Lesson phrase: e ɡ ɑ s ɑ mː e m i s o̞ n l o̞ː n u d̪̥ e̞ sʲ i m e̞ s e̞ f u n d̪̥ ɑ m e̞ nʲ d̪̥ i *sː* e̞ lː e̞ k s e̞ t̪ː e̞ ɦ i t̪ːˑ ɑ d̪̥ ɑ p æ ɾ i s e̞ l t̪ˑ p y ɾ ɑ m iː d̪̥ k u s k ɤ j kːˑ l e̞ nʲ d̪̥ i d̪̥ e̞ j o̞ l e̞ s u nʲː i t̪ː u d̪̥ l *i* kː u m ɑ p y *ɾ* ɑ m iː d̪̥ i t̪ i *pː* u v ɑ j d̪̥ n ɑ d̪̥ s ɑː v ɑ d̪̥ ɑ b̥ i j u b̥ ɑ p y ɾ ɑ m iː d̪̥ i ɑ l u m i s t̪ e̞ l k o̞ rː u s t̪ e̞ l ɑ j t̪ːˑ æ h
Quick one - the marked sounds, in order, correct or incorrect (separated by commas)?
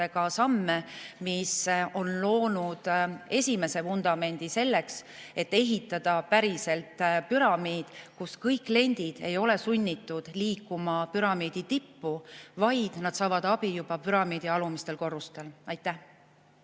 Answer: incorrect, incorrect, correct, correct